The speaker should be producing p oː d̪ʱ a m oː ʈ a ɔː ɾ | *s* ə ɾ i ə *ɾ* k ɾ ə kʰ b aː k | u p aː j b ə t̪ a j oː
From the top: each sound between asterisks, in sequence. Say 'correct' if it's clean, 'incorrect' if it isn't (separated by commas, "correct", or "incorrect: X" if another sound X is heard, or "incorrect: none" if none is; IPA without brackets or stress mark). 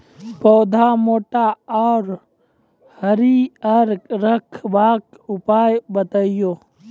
incorrect: h, correct